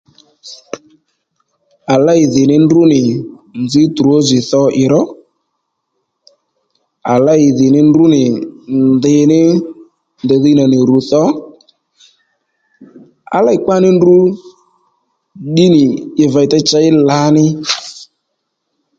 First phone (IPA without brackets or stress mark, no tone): a